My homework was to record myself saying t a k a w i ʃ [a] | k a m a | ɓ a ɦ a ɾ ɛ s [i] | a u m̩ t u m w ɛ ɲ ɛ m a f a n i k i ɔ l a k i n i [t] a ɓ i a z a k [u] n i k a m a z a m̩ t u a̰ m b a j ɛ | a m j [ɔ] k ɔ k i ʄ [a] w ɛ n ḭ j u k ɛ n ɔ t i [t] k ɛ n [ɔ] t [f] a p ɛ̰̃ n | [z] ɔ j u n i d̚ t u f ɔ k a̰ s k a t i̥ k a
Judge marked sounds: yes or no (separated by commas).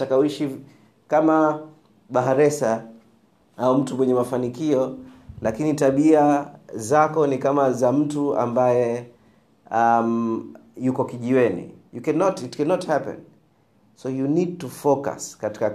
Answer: no, no, yes, no, no, no, yes, yes, no, no